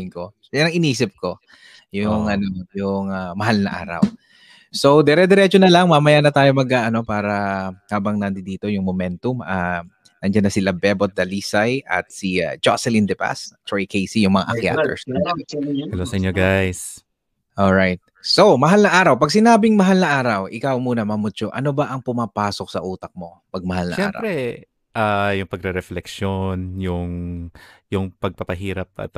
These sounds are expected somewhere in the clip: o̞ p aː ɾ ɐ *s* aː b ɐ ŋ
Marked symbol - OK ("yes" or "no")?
no